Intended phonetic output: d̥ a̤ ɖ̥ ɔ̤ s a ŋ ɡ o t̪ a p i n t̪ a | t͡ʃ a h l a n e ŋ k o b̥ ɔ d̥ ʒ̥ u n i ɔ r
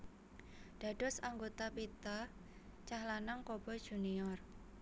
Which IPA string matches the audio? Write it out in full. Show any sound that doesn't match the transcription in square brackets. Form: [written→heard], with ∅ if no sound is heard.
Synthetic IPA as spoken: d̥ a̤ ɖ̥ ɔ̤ s a ŋ ɡ o t̪ a p i [n→∅] t̪ a | t͡ʃ a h l a n [e→a] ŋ k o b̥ ɔ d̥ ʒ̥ u n i ɔ r